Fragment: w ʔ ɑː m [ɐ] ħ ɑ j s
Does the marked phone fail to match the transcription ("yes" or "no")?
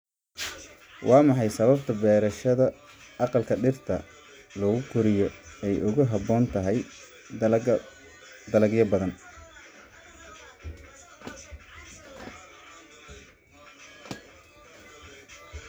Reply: yes